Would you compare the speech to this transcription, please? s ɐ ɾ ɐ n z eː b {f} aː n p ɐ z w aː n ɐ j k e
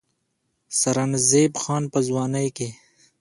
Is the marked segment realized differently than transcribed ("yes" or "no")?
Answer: yes